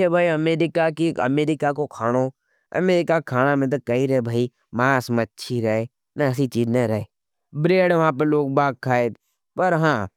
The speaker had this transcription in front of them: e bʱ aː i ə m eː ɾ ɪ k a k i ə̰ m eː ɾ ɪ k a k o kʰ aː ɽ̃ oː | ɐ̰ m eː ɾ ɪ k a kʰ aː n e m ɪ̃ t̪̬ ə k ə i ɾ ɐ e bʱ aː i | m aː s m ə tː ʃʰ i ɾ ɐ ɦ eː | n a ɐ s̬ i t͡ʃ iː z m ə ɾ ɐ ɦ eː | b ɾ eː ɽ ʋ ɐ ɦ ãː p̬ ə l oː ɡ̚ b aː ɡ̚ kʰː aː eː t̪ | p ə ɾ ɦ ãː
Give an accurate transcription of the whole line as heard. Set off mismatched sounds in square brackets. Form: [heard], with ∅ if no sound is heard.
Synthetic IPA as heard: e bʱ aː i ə m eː ɾ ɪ k a k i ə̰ m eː ɾ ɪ k a k o kʰ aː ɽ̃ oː | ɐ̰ m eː ɾ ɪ k a kʰ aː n [a] m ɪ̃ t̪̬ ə k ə i ɾ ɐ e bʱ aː i | m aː s m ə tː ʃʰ i ɾ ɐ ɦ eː | n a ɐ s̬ i t͡ʃ iː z [n] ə ɾ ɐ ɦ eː | b ɾ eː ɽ ʋ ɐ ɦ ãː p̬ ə l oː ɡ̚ b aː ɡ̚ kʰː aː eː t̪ | p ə ɾ ɦ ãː